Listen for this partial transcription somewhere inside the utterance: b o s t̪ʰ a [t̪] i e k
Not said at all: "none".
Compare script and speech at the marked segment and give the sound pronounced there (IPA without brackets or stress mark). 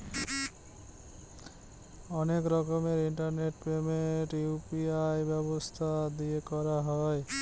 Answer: d̪